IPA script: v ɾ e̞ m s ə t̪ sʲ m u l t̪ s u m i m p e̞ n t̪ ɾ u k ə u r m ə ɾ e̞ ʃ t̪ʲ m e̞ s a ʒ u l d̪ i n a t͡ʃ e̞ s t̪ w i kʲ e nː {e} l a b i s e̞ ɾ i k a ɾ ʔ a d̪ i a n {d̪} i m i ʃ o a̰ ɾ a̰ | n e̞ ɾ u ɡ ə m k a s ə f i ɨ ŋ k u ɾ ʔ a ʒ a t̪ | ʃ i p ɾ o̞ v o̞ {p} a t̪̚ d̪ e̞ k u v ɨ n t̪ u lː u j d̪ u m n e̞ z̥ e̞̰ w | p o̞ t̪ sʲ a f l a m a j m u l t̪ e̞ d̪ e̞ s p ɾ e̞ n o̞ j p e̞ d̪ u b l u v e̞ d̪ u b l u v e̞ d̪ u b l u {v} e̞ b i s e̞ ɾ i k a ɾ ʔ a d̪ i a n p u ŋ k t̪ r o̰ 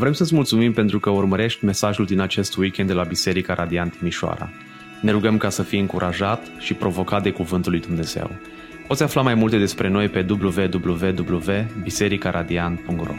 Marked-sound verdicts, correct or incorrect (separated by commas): correct, incorrect, incorrect, correct